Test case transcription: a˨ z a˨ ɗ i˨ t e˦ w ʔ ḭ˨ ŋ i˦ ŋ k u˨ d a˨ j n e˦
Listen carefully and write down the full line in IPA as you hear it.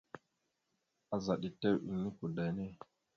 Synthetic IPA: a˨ z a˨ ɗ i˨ t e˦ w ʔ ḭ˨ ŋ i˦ k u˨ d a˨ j n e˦